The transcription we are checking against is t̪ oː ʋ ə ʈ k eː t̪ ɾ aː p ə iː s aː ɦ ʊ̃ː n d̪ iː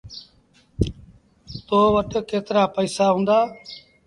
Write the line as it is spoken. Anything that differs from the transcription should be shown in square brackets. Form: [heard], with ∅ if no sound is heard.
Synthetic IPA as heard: t̪ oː ʋ ə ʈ k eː t̪ ɾ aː p ə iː s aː ɦ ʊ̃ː n d̪ [aː]